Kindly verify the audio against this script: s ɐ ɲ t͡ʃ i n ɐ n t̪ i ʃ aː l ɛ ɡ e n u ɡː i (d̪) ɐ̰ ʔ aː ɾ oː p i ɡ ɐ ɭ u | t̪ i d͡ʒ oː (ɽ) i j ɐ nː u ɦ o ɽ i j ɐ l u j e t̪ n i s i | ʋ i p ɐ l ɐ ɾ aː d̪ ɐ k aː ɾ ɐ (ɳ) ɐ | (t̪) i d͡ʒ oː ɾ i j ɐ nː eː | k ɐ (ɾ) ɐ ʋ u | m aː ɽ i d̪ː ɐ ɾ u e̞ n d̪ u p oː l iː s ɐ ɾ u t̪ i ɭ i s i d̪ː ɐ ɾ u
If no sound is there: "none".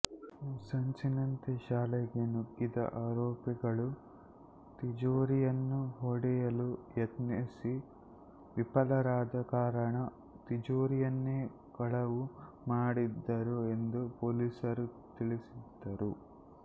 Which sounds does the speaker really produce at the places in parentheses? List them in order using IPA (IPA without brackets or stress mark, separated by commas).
d̪, ɾ, ɳ, t̪, ɭ